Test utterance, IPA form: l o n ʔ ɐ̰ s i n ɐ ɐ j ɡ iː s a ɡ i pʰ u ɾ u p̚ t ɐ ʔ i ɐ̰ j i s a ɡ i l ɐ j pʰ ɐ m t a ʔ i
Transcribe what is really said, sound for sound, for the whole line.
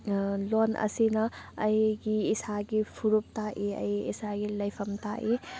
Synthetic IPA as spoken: l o n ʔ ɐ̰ s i n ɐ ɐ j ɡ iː s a ɡ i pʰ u ɾ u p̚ t a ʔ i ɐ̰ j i s a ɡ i l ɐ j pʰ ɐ m t a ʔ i